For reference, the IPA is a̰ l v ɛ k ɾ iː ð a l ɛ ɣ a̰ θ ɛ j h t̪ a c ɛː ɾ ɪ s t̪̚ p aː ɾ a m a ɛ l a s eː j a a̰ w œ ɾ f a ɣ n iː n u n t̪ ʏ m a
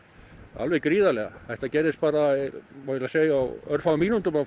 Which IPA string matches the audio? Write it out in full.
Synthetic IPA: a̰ l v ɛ k ɾ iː ð a l ɛ ɣ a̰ θ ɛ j h t̪ a c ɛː ɾ ɪ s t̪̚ p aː ɾ a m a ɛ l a s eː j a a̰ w œ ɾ f a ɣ m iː n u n t̪ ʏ m a

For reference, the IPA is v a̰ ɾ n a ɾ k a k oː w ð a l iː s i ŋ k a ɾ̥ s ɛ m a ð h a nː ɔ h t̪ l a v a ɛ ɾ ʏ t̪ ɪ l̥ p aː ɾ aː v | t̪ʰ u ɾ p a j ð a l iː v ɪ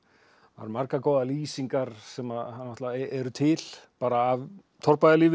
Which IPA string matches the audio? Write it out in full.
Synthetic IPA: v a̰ ɾ m a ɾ k a k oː w ð a l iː s i ŋ k a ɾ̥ s ɛ m a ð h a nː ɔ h t̪ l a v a ɛ ɾ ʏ t̪ʰ ɪ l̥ p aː ɾ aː v | t̪ʰ ɔ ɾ p a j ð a l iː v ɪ

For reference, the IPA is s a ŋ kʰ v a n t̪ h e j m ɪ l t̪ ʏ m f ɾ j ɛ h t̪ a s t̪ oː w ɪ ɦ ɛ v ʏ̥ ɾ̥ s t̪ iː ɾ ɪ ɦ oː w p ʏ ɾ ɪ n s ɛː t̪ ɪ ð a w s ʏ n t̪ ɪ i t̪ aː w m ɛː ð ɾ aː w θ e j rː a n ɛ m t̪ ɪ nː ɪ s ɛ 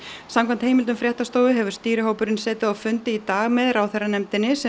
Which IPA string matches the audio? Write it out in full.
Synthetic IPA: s a m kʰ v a n t̪ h e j m ɪ l t̪ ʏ m f ɾ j ɛ h t̪ a s t̪ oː w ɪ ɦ ɛ v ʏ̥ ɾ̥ s t̪ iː ɾ ɪ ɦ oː w p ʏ ɾ ɪ n s ɛː t̪ ɪ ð a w f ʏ n t̪ ɪ i t̪ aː ɣ m ɛ ð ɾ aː w θ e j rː a n ɛ m t̪ ɪ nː ɪ s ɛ

